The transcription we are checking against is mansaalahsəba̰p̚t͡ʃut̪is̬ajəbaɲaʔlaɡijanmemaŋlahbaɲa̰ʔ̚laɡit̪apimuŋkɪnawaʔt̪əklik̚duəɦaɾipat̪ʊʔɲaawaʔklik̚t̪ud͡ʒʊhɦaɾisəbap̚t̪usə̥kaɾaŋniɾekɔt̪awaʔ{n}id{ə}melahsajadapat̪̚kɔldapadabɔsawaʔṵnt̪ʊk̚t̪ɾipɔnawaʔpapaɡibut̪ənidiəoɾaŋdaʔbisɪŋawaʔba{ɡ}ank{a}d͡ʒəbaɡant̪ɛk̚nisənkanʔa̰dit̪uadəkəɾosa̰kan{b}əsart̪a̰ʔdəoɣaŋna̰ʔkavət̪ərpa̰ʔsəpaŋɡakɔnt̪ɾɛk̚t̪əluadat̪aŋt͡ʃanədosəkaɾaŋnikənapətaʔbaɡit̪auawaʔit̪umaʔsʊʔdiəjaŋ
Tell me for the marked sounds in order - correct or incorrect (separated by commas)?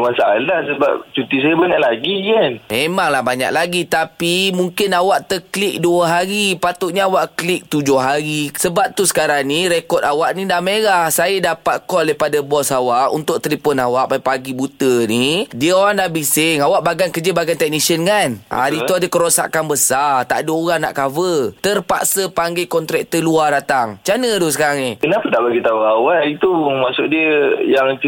correct, incorrect, correct, incorrect, correct